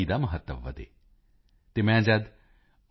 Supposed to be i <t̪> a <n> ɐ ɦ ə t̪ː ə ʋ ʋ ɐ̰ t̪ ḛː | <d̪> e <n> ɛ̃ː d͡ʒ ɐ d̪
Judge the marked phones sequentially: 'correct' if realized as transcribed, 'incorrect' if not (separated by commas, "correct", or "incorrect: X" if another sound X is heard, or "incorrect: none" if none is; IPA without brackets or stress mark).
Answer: incorrect: d̪, incorrect: m, incorrect: t̪, incorrect: m